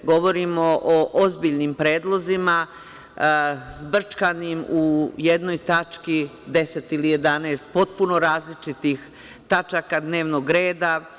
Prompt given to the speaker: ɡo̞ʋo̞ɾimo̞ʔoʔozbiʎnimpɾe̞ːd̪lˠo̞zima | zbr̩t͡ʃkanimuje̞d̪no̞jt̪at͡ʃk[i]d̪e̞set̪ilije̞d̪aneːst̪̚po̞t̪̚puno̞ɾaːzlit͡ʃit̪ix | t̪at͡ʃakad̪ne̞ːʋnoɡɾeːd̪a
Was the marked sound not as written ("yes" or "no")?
no